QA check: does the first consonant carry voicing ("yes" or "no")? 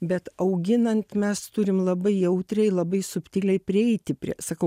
yes